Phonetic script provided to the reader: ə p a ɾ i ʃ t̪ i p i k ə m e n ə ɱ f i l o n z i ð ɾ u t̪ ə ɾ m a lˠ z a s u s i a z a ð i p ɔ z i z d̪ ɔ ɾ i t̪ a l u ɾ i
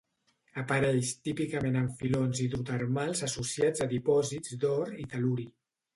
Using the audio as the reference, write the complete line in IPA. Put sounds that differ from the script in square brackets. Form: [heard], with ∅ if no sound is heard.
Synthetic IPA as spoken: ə p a ɾ [ɛ] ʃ t̪ i p i k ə m e n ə ɱ f i l o n z i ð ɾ u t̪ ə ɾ m a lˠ z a s u s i a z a ð i p ɔ z i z d̪ ɔ ɾ i t̪ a l u ɾ i